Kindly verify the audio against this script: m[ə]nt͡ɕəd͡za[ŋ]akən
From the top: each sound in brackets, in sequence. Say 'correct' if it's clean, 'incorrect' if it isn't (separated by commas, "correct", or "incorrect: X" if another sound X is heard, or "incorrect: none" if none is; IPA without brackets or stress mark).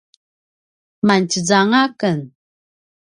incorrect: a, correct